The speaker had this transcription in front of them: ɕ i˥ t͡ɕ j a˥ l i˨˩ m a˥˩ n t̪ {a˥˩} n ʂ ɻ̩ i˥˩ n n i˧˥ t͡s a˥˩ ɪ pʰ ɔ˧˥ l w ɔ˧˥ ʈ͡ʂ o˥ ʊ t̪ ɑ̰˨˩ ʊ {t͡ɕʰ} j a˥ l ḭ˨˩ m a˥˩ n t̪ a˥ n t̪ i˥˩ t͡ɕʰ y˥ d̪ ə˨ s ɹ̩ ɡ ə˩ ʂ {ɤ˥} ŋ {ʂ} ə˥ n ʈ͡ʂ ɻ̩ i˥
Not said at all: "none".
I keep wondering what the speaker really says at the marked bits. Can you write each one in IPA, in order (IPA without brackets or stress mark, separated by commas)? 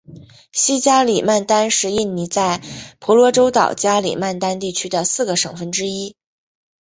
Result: a˥, t͡ɕ, ɤ˨˩, f